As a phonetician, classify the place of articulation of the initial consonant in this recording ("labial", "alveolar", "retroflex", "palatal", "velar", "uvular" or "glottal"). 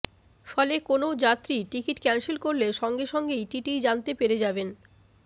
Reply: labial